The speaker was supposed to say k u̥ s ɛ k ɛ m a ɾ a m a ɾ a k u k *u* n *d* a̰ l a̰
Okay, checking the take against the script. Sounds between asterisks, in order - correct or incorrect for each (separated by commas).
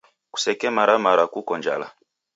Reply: incorrect, incorrect